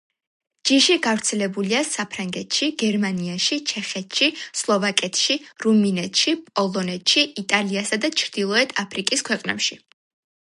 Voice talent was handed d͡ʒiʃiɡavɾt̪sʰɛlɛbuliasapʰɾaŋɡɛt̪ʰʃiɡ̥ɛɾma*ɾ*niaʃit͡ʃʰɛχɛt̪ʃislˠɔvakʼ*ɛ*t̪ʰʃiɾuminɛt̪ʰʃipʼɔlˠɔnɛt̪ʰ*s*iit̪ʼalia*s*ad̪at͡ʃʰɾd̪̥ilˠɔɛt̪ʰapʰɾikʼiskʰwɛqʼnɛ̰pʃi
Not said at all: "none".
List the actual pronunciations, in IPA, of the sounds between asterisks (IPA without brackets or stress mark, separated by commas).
none, ɛ, ʃ, s